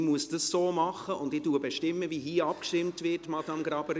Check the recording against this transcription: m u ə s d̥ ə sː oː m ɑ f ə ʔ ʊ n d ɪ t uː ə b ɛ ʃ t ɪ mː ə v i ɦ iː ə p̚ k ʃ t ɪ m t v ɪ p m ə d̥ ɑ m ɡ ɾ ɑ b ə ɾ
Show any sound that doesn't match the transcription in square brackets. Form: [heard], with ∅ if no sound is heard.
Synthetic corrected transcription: m u ə s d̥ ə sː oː m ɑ [χ] ə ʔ ʊ n d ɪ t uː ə b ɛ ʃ t ɪ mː ə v i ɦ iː [ɑ] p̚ k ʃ t ɪ m t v ɪ [t] m [ɑ] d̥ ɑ m ɡ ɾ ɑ b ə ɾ